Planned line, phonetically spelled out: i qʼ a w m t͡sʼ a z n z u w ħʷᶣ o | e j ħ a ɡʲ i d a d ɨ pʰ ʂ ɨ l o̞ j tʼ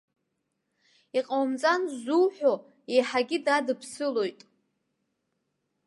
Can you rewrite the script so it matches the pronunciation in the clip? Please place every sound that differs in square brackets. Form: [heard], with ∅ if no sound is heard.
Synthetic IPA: i qʼ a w m t͡sʼ a [∅] n z u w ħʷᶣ o | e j ħ a ɡʲ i d a d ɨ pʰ [s] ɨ l o̞ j tʼ